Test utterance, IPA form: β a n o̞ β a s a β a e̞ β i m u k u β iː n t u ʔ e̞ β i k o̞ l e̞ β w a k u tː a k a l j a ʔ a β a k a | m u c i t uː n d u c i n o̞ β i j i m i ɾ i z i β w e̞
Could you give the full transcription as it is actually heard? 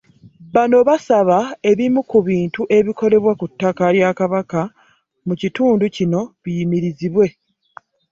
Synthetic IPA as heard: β a n o̞ β a s a β a e̞ β i m u k u β iː n t u ʔ e̞ β i k o̞ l e̞ β w a k u tː a k a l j a k a β a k a | m u c i t uː n d u c i n o̞ β i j i m i ɾ i z i β w e̞